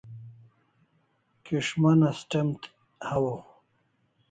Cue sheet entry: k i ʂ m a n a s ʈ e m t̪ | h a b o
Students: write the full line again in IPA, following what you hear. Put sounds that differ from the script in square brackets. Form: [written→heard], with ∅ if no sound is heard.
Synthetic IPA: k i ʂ m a n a s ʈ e m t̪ | h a [b→w] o

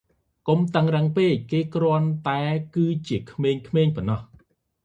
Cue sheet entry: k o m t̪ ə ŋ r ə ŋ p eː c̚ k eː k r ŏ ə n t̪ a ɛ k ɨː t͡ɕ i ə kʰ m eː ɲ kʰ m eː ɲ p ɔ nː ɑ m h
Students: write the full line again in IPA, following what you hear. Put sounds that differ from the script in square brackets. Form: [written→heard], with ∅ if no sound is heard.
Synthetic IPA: k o m t̪ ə ŋ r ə ŋ p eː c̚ k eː k r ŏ ə n t̪ a ɛ k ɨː t͡ɕ i ə kʰ m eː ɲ kʰ m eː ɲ p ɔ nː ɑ [m→∅] h

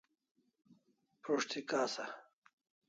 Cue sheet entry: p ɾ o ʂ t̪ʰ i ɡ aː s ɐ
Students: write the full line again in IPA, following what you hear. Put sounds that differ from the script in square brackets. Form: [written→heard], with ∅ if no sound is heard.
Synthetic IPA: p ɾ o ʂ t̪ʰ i [ɡ→k] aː s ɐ

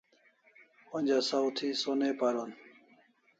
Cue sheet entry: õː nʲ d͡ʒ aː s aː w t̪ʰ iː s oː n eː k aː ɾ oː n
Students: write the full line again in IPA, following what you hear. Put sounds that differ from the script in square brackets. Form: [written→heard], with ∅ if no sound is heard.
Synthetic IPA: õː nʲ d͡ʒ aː s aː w t̪ʰ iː s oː n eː [k→p] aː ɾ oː n

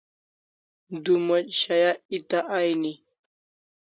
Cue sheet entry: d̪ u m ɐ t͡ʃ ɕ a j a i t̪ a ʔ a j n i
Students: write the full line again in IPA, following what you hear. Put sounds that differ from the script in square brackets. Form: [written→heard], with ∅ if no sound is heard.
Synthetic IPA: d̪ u m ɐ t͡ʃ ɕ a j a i t̪ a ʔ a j n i

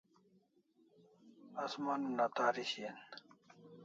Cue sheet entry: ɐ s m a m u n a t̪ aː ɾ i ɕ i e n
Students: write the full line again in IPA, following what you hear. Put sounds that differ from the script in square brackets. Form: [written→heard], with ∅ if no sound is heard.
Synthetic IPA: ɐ s m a [m→n] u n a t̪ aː ɾ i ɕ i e n

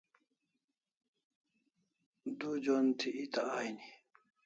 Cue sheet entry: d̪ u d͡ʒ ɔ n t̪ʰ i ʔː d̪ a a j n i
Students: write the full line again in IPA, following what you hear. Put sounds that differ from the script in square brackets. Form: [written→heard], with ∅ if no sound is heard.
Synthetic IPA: d̪ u d͡ʒ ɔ n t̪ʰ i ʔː [d̪→t̪] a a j n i

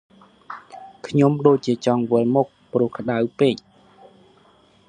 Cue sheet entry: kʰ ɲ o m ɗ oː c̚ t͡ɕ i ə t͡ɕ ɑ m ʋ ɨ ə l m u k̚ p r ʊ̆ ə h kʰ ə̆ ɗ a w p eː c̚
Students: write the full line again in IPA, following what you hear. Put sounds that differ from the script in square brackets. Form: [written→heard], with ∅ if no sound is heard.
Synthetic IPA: kʰ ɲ o m ɗ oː c̚ t͡ɕ i ə t͡ɕ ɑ [m→ŋ] ʋ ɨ ə l m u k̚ p r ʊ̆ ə h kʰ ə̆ ɗ a w p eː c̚

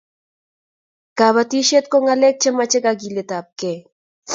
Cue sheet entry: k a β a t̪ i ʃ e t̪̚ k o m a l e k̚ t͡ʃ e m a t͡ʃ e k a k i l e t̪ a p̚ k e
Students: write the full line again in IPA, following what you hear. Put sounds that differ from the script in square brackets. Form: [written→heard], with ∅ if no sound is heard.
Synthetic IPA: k a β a t̪ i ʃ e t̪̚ k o [m→ŋ] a l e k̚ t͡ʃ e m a t͡ʃ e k a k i l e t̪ a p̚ k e

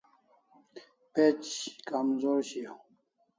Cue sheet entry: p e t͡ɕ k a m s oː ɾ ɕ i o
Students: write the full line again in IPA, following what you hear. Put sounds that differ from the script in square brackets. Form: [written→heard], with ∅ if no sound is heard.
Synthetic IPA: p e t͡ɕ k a m [s→z] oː ɾ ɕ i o

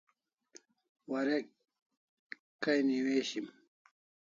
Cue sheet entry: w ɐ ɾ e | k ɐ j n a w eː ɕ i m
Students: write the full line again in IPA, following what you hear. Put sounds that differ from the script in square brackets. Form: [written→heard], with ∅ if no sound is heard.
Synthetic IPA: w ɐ ɾ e | k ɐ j n [a→i] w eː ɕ i m

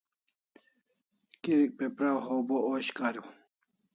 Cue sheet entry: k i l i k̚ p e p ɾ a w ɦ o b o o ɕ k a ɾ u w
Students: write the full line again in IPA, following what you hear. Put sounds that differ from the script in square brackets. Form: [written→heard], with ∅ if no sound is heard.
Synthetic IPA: k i [l→ɾ] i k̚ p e p ɾ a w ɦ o b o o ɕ k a ɾ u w

